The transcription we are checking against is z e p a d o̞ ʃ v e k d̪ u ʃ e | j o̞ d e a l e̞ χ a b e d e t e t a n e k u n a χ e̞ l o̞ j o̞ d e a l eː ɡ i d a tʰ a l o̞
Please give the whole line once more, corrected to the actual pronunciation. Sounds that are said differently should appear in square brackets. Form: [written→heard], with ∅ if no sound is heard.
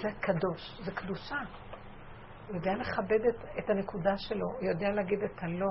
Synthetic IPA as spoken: z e [p→k] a d o̞ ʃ [v→z] e k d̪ u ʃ [e→a] | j o̞ d e a l e̞ χ a b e d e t e t a n e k u [n→d] a [χ→ʃ] e̞ l o̞ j o̞ d e a l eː ɡ i d [a→e] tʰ a l o̞